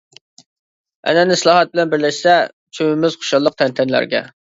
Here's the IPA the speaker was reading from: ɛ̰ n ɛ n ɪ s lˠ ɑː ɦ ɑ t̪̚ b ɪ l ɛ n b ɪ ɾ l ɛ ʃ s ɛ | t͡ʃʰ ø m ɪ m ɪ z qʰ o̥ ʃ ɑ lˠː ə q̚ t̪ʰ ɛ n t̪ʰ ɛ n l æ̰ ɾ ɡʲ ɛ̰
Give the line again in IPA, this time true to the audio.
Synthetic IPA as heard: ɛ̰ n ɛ n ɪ s lˠ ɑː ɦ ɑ t̪̚ b ɪ l ɛ n b ɪ ɾ l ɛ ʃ s ɛ | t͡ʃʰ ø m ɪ m ɪ z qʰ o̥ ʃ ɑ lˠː ə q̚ t̪ʰ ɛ n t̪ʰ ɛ n l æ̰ ɾ ɡʲ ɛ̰

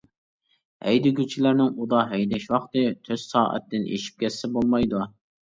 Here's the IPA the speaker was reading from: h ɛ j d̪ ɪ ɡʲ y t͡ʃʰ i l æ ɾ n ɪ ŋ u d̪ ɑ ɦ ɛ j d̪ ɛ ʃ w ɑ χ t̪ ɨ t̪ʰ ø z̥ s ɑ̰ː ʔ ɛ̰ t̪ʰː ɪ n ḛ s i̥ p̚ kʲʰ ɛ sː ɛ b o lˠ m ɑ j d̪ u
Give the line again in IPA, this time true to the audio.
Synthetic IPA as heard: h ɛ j d̪ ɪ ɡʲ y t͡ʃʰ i l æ ɾ n ɪ ŋ u d̪ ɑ ɦ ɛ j d̪ ɛ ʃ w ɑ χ t̪ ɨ t̪ʰ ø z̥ s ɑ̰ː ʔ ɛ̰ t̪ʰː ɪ n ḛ ʃ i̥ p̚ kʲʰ ɛ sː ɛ b o lˠ m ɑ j d̪ u

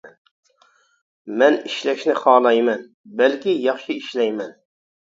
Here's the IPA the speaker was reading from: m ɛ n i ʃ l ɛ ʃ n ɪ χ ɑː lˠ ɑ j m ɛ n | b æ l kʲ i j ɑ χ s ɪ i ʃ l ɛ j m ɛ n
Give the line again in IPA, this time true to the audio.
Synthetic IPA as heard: m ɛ n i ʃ l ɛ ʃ n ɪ χ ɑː lˠ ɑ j m ɛ n | b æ l kʲ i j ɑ χ ʃ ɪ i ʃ l ɛ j m ɛ n

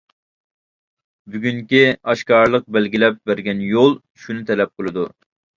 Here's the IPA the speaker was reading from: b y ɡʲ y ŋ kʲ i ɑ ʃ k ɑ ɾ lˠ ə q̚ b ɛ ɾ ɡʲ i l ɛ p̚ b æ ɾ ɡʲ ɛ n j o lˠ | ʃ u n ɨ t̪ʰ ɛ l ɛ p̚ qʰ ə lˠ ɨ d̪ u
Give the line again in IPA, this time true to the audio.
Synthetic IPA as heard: b y ɡʲ y ŋ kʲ i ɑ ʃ k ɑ ɾ lˠ ə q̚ b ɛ l ɡʲ i l ɛ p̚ b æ ɾ ɡʲ ɛ n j o lˠ | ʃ u n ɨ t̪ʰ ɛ l ɛ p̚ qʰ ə lˠ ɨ d̪ u

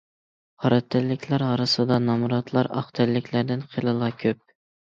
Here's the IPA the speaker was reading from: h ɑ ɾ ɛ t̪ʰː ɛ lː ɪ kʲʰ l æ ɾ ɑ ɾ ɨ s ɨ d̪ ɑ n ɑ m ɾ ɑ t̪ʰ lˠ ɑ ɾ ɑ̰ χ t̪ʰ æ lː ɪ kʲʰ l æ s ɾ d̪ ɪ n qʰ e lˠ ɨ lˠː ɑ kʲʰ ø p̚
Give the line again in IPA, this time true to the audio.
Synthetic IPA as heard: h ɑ ɾ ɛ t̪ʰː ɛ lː ɪ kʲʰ l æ ɾ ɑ ɾ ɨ s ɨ d̪ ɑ n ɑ m ɾ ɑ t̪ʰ lˠ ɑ ɾ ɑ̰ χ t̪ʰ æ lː ɪ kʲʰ l æ ɾ d̪ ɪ n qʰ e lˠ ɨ lˠ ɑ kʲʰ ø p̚

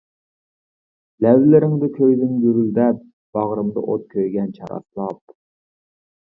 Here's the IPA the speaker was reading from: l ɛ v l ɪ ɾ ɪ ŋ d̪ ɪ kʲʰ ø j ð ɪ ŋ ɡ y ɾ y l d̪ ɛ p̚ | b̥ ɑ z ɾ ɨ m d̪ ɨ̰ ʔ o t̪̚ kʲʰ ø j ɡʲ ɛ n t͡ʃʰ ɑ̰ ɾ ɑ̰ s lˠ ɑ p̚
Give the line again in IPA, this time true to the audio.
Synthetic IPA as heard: l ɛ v l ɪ ɾ ɪ ŋ d̪ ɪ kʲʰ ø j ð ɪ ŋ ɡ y ɾ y l d̪ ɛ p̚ | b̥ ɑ ʁ ɾ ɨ m d̪ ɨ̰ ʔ o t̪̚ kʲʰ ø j ɡʲ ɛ n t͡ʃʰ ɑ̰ ɾ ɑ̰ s lˠ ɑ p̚

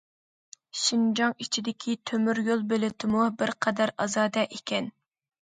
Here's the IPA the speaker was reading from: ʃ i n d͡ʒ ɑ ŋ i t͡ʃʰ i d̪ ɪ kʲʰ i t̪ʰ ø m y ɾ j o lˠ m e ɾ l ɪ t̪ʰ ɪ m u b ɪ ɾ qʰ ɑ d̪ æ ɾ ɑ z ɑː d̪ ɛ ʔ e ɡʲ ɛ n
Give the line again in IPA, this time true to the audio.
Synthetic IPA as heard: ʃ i n d͡ʒ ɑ ŋ i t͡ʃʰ i d̪ ɪ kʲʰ i t̪ʰ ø m y ɾ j o lˠ b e l ɪ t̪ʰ ɪ m u b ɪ ɾ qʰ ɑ d̪ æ ɾ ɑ z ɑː d̪ ɛ ʔ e kʲ ɛ n

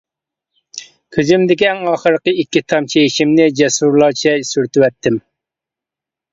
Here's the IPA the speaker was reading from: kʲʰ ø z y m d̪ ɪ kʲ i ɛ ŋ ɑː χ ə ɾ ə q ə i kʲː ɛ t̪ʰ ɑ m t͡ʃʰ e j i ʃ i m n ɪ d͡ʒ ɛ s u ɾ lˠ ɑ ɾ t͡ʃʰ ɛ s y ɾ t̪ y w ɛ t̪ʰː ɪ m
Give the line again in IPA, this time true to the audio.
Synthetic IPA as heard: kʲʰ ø z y m d̪ ɪ kʲ i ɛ ŋ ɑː χ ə ɾ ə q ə i kʲː i t̪ʰ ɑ m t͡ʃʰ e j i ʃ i m n ɪ d͡ʒ ɛ s u ɾ lˠ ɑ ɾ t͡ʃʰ ɛ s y ɾ t̪ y w ɛ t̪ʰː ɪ m

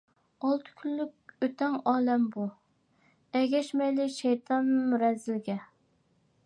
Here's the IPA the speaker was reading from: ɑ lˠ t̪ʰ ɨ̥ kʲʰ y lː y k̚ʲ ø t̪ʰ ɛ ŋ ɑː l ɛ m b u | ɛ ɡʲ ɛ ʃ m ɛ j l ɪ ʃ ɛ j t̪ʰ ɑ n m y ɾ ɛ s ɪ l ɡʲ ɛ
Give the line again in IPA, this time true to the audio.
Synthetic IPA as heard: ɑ lˠ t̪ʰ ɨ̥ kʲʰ y lː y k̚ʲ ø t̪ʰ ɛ ŋ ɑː l ɛ m b u | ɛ ɡʲ ɛ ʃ m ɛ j l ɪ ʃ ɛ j t̪ʰ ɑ n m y ɾ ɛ z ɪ l ɡʲ ɛ

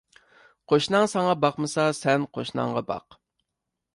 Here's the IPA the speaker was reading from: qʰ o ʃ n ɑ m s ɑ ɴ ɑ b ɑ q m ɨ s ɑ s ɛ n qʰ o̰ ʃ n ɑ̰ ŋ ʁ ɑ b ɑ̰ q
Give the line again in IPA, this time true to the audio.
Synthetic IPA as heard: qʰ o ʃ n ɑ ŋ s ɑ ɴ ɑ b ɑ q m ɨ s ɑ s ɛ n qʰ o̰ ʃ n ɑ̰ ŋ ʁ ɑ b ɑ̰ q

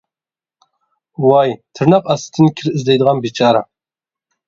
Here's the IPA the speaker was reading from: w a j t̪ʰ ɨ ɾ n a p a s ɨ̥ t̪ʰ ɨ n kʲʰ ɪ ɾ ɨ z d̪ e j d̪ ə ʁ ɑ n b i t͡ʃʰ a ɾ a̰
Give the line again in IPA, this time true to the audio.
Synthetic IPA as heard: w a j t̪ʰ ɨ ɾ n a q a s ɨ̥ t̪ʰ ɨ n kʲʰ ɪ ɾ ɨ z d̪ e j d̪ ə ʁ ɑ n b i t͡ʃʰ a ɾ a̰

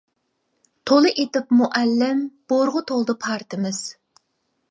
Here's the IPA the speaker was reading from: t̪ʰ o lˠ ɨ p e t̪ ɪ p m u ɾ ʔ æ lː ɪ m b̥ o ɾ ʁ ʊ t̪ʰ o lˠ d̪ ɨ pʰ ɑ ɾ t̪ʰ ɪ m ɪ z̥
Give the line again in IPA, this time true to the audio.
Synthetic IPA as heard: t̪ʰ o lˠ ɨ ʔ e t̪ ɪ p m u ʔ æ lː ɪ m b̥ o ɾ ʁ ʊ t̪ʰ o lˠ d̪ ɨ pʰ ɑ ɾ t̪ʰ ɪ m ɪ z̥

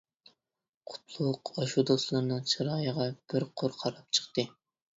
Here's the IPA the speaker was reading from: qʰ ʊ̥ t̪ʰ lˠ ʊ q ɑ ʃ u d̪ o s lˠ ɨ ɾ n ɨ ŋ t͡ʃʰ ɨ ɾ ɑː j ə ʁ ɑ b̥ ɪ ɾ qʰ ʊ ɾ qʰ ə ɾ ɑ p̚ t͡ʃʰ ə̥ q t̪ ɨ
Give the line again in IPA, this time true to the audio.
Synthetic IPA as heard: qʰ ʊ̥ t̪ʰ lˠ ʊ q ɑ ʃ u d̪ o s lˠ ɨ ɾ n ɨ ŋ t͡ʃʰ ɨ ɾ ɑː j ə ʁ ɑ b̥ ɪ ɾ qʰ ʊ ɾ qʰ ɑ ɾ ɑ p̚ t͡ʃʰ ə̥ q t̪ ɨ

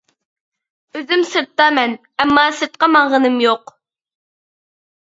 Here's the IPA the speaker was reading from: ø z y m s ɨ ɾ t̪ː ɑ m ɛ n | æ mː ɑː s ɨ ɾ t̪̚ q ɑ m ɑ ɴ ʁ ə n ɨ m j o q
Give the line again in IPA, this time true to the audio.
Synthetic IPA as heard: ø z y m s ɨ ɾ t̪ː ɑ m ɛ n | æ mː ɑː s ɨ ɾ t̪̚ q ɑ m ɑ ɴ ʁ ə n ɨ m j o q

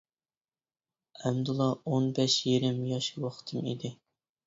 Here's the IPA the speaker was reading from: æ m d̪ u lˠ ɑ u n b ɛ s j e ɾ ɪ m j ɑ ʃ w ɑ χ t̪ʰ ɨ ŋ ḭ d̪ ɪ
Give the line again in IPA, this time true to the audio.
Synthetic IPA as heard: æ m d̪ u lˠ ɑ o n b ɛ ʃ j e ɾ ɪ m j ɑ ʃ w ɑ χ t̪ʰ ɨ m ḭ d̪ ɪ

